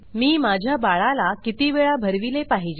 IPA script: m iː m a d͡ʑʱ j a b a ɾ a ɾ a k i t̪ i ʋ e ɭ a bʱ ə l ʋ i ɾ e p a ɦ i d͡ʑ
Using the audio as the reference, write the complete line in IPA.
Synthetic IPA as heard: m iː m a d͡ʑʱ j a b a ɭ a l a k i t̪ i ʋ e ɭ a bʱ ə ɾ ʋ i l e p a ɦ i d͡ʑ